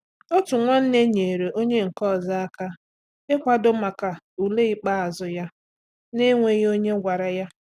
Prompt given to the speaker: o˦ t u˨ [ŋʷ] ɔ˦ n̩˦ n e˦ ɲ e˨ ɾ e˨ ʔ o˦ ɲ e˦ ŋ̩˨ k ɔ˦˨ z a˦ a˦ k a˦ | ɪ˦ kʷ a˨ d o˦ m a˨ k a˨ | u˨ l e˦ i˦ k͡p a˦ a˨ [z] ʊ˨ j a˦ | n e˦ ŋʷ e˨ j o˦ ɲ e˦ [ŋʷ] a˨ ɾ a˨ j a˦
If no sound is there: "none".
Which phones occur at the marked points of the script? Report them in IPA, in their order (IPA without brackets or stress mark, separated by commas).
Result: ŋʷ, z, ɡʷ